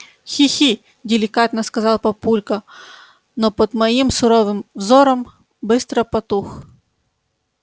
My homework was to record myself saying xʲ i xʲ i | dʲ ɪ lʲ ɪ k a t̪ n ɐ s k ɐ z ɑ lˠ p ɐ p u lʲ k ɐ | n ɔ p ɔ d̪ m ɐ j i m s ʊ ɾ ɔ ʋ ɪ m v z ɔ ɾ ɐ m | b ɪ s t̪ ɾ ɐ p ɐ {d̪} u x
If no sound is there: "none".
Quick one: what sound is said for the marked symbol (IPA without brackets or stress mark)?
t̪